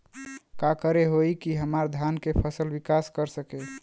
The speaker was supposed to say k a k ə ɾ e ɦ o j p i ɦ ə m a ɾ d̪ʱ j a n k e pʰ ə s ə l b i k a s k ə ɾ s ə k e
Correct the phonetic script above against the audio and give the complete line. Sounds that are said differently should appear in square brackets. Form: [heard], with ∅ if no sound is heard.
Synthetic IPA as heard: k a k ə ɾ e ɦ o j [k] i ɦ ə m a ɾ d̪ʱ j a n k e pʰ ə s ə l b i k a s k ə ɾ s ə k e